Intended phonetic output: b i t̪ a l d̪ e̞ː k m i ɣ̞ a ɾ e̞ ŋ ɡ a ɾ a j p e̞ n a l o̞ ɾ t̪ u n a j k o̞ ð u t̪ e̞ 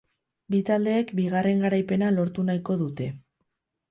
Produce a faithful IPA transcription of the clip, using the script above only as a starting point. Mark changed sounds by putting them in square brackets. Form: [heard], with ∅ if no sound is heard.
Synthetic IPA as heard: b i t̪ a l d̪ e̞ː k [b] i ɣ̞ a [r] e̞ ŋ ɡ a ɾ a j p e̞ n a l o̞ ɾ t̪ u n a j k o̞ ð u t̪ e̞